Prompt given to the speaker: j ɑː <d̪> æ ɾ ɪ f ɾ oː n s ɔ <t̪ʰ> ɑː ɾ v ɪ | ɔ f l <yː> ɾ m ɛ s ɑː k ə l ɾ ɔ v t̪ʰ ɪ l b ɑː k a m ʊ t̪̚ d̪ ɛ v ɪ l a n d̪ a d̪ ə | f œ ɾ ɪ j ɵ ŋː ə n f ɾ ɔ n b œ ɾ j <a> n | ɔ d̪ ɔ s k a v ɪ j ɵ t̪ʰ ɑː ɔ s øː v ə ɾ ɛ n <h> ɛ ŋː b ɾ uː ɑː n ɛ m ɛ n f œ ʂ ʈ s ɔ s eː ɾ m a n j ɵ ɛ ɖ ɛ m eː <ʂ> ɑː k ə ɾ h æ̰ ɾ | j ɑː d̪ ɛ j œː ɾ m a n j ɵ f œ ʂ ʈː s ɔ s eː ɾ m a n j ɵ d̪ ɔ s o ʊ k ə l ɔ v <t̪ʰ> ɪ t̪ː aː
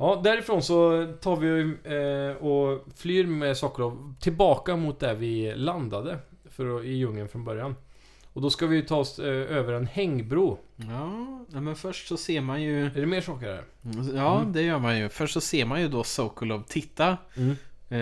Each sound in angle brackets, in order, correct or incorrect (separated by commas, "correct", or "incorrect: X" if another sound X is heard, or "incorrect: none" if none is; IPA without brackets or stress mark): correct, correct, correct, correct, correct, correct, correct